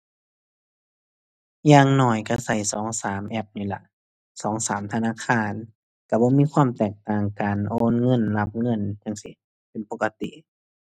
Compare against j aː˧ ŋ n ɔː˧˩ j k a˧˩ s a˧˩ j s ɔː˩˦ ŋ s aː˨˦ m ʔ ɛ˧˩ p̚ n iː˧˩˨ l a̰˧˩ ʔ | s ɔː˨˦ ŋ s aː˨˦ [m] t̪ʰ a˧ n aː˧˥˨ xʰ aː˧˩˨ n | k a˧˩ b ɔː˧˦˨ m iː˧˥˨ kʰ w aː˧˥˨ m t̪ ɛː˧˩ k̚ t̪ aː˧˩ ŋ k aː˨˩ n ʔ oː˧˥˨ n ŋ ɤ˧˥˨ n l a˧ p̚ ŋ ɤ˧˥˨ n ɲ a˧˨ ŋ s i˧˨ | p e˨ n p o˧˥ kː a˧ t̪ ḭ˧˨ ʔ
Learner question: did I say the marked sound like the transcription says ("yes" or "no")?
yes